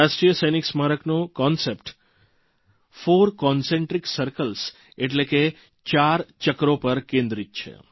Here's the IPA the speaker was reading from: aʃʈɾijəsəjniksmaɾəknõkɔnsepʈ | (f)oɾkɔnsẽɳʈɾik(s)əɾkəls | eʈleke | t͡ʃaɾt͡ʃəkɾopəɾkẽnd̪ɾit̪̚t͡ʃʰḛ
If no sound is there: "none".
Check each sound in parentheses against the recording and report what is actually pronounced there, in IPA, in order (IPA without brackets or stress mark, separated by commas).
f, s